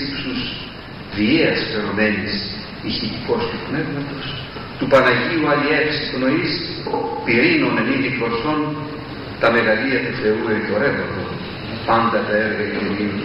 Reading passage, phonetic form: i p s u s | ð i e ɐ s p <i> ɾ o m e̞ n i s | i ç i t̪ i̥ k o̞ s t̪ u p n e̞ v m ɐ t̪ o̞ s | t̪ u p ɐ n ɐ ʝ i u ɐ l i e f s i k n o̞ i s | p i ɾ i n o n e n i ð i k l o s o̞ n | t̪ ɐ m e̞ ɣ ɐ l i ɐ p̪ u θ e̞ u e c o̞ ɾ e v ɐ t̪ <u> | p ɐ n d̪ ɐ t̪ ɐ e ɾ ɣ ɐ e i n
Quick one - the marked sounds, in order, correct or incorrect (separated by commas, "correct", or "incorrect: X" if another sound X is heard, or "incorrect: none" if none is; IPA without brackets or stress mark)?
incorrect: e, incorrect: o